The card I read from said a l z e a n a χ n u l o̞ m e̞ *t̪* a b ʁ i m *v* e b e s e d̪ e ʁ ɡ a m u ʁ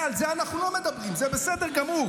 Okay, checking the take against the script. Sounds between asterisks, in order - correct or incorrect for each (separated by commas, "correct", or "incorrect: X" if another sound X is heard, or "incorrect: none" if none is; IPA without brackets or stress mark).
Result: incorrect: d̪, incorrect: z